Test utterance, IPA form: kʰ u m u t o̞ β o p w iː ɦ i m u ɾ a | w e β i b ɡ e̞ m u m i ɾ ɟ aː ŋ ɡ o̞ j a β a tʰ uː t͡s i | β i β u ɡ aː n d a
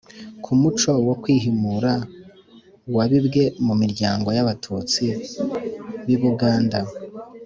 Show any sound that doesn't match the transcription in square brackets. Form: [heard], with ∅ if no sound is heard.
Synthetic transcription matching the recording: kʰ u m u [t͡ʃ] o̞ [w] o [k] w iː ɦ i m u ɾ a | w [a] β i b ɡ e̞ m u m i ɾ ɟ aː ŋ ɡ o̞ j a β a tʰ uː t͡s i | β i β u ɡ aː n d a